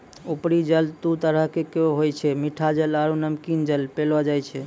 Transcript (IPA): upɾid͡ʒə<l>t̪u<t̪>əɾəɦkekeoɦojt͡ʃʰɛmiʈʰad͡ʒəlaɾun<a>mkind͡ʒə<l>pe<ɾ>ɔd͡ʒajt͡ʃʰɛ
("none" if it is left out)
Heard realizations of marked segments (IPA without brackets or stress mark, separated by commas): l, t̪, ə, l, l